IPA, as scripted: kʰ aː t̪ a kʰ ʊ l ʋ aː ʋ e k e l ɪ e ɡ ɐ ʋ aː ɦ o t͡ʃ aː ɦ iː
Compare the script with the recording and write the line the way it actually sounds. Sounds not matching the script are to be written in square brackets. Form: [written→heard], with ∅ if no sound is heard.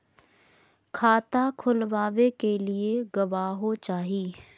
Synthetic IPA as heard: kʰ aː t̪ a kʰ ʊ l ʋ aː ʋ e k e l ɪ e ɡ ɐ ʋ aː ɦ o t͡ʃ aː ɦ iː